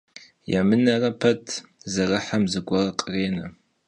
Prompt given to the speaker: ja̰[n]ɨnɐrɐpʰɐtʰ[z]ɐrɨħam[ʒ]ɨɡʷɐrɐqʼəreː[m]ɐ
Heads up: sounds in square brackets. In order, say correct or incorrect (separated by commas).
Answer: incorrect, correct, incorrect, incorrect